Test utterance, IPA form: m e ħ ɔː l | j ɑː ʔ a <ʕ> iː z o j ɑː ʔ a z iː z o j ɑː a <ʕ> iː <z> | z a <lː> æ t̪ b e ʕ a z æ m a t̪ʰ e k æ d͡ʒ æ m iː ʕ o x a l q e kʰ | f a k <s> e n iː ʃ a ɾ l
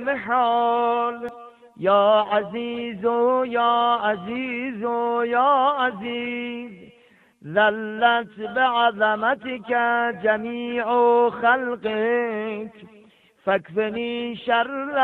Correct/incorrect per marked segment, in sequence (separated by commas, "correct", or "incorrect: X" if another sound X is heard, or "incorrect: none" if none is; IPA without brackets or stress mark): incorrect: z, incorrect: z, correct, correct, incorrect: f